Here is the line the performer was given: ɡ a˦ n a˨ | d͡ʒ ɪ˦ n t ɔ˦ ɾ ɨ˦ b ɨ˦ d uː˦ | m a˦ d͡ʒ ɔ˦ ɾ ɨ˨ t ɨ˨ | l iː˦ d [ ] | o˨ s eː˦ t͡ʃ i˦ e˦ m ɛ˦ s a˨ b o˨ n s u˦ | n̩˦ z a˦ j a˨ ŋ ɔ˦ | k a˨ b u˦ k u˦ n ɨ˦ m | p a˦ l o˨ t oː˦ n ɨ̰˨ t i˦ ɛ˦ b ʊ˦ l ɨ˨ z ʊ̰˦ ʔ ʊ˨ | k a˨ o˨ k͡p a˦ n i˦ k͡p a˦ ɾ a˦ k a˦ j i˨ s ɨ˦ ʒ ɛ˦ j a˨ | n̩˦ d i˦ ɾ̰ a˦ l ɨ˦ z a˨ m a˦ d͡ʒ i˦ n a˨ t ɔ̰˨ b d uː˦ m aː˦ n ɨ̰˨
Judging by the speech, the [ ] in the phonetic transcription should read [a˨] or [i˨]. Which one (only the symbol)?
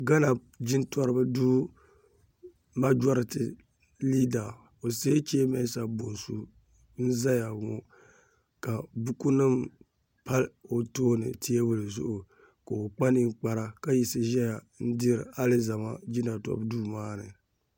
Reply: a˨